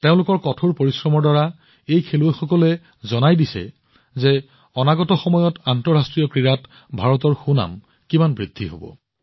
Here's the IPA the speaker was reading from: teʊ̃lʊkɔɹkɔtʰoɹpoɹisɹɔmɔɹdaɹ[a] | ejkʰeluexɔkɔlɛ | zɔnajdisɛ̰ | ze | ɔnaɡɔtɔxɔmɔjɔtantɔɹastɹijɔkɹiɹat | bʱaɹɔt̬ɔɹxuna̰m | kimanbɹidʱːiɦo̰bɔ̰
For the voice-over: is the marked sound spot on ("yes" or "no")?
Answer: yes